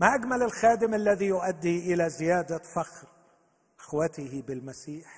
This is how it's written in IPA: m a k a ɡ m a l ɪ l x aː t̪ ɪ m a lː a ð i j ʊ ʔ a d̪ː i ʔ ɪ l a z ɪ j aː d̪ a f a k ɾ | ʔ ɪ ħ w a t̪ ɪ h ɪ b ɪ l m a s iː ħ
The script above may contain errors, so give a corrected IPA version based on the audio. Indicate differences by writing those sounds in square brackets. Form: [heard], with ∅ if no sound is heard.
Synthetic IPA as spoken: m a [ʔ] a ɡ m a l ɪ l x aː [d̪] ɪ m a lː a ð i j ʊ ʔ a d̪ː i ʔ ɪ l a z ɪ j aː d̪ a f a [x] ɾ | ʔ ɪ [x] w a t̪ ɪ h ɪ b ɪ l m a s iː ħ